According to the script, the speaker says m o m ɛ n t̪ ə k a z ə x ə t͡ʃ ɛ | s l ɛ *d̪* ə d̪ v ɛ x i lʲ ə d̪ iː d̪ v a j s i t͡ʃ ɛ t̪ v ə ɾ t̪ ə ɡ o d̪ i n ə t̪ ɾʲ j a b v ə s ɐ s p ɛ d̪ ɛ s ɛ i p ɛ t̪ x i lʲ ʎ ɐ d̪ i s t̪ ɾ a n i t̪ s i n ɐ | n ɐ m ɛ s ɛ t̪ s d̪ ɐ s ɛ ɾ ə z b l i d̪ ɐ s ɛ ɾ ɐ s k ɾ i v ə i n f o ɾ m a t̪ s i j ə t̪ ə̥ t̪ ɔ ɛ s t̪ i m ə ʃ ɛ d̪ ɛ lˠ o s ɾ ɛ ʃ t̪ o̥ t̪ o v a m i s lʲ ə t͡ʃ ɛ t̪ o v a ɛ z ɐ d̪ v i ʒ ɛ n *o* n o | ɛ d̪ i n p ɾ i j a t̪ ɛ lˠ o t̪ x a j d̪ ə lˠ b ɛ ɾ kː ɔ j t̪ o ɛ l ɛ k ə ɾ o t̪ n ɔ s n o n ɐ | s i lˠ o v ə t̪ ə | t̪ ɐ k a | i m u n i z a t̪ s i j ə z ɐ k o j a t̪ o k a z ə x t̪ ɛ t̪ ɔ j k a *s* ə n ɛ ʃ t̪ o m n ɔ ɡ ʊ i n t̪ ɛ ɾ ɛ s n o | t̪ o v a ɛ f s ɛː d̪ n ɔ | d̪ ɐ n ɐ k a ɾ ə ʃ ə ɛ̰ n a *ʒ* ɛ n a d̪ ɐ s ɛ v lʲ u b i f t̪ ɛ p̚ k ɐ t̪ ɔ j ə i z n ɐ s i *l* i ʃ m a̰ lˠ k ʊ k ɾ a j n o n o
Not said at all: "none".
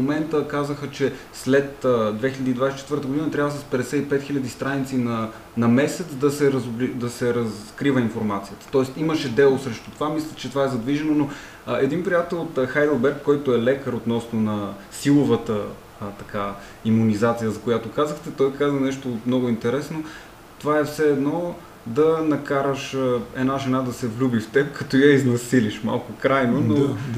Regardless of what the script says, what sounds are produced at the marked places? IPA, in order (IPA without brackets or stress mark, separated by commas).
t̪, o, z, ʒ, l